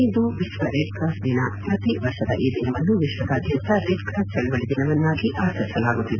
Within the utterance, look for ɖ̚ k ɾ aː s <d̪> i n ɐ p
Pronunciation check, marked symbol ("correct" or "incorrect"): correct